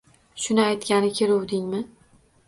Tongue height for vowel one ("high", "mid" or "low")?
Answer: high